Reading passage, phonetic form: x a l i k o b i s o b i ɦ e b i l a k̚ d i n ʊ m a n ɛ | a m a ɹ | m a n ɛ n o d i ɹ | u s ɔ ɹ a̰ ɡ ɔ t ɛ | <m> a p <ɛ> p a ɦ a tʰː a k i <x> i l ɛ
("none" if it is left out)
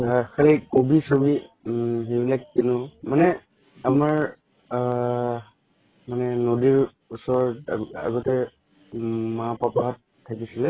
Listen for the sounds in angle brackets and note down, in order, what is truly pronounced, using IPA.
m, a, s

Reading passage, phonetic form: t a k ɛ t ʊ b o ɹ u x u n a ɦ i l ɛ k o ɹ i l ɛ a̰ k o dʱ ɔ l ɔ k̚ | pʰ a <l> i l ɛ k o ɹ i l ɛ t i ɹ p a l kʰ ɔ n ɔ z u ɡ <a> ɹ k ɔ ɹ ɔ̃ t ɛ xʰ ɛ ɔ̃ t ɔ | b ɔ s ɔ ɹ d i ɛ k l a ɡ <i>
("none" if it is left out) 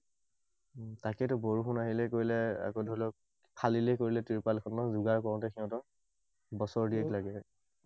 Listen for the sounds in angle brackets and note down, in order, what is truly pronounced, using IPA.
l, a, ɛ

